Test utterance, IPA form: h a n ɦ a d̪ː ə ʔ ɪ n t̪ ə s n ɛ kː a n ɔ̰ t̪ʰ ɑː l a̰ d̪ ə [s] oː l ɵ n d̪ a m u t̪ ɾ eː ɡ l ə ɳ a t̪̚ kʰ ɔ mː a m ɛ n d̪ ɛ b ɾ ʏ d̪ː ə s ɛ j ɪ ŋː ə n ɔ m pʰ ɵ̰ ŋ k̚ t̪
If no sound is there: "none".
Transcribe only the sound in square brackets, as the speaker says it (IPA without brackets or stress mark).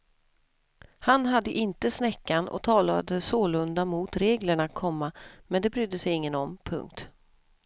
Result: s